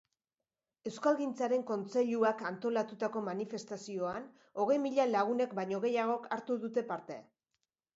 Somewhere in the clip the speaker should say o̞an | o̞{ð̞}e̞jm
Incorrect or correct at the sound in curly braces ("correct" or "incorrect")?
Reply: incorrect